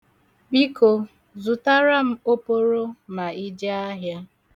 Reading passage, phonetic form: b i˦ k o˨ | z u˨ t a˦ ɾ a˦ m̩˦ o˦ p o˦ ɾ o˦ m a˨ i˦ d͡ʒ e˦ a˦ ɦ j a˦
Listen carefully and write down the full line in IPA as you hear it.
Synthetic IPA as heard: b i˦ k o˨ | z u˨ t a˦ ɾ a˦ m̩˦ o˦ p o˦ ɾ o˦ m a˨ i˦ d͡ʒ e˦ a˦ ɦ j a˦